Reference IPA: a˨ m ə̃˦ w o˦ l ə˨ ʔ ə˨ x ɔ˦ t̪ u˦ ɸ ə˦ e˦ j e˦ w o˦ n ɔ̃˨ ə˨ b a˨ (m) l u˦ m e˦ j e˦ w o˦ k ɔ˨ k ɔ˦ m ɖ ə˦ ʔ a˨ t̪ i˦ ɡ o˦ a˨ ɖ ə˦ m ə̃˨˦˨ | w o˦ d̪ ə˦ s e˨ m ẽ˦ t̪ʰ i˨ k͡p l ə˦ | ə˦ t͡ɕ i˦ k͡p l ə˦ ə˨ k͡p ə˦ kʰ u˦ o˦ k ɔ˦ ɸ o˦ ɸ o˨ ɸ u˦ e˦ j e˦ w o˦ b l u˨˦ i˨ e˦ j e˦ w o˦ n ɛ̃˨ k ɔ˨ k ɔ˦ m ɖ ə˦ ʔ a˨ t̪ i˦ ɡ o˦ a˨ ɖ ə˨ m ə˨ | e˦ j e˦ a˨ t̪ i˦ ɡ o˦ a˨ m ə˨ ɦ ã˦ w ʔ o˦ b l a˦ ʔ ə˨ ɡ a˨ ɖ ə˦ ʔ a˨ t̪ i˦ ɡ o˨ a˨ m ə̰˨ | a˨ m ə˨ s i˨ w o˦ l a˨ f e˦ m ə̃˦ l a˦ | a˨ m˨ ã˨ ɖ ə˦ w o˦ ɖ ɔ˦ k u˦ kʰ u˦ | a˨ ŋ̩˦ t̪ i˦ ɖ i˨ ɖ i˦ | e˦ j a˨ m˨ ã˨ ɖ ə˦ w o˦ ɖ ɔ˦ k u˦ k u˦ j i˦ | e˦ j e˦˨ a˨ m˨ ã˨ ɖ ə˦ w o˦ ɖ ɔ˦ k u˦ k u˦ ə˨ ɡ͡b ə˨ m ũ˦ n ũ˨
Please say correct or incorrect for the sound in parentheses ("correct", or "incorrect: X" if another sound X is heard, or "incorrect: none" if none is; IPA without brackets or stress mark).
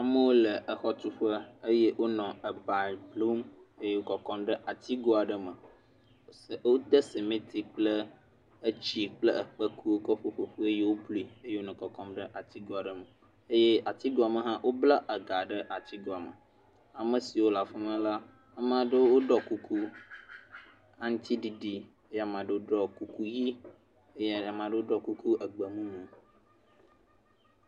incorrect: b